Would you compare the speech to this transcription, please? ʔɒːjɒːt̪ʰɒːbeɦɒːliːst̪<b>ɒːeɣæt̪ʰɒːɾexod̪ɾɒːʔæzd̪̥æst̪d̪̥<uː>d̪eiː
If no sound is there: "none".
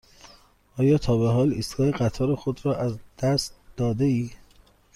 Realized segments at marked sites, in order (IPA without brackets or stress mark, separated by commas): ɡ, ɒː